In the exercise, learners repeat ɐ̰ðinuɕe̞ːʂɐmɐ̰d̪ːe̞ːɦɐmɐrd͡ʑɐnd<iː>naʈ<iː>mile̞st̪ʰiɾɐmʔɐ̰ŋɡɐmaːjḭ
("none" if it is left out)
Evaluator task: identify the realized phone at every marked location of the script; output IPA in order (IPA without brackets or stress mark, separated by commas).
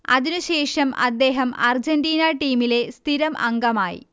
iː, iː